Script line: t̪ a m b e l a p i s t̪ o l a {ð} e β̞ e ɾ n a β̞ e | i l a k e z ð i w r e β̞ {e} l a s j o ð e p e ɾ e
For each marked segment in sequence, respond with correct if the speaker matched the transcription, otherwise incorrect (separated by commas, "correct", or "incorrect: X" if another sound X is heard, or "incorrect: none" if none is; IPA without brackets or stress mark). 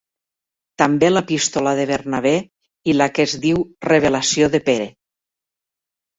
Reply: correct, correct